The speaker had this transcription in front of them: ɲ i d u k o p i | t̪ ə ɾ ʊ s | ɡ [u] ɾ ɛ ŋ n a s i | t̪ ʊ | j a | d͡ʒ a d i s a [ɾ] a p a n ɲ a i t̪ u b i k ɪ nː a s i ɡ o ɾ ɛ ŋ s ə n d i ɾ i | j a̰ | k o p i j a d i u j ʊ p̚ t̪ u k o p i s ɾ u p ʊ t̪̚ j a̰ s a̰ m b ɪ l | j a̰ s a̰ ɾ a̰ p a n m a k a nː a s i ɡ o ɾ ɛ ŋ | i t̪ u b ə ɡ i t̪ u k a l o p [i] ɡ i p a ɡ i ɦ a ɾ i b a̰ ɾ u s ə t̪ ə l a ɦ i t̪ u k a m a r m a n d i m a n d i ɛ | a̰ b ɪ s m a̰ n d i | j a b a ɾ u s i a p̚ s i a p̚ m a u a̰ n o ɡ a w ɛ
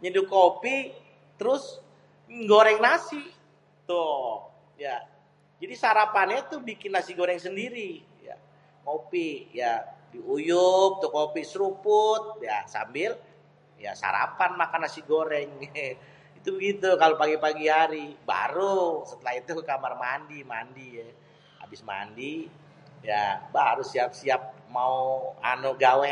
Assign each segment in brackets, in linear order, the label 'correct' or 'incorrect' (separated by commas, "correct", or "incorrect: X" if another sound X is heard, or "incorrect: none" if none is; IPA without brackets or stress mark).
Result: incorrect: o, correct, incorrect: a